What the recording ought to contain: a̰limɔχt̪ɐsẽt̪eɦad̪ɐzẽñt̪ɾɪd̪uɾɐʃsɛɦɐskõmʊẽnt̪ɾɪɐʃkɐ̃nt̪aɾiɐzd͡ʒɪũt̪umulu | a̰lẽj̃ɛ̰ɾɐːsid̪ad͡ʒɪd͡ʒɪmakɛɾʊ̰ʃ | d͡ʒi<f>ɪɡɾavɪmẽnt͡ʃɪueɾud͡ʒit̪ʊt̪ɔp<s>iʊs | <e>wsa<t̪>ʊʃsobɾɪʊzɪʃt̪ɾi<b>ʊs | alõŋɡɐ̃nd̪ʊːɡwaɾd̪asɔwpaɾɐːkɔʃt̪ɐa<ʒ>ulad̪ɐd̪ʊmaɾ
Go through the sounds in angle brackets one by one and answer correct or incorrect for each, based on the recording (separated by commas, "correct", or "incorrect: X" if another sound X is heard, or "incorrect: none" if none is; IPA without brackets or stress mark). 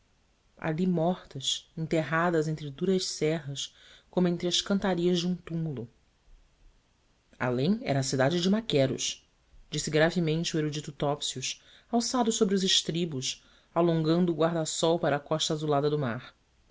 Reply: incorrect: s, correct, incorrect: a, incorrect: d̪, correct, incorrect: z